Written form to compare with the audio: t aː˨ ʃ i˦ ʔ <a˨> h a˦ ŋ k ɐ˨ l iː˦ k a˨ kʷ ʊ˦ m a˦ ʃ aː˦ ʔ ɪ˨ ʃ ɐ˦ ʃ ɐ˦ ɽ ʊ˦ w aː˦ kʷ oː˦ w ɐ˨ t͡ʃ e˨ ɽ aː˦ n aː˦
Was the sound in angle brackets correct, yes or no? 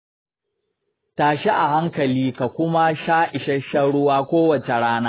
yes